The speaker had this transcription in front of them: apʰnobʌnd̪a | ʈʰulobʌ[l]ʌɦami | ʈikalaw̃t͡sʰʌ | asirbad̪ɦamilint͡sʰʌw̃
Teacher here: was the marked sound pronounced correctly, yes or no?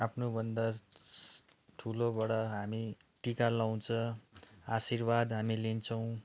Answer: no